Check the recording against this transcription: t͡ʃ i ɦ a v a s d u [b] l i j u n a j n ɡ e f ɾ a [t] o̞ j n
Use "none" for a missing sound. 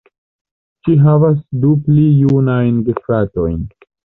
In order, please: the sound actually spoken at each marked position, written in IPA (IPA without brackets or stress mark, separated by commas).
p, t